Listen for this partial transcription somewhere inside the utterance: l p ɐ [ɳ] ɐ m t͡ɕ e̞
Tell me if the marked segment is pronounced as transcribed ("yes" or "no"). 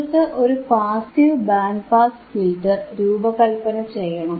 no